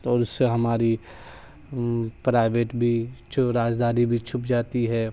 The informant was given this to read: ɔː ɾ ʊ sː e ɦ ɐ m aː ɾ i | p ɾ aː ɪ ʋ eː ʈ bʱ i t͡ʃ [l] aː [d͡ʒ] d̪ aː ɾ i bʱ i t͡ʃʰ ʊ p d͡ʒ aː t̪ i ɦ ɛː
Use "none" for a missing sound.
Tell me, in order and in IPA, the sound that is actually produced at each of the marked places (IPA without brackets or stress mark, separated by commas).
ɾ, d͡ʒ